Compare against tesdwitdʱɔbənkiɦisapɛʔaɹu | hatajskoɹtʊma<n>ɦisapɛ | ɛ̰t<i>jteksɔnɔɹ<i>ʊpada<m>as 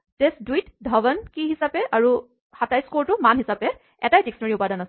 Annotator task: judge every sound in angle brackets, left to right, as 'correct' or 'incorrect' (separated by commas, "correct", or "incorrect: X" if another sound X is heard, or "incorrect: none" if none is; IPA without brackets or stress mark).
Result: correct, incorrect: a, correct, incorrect: n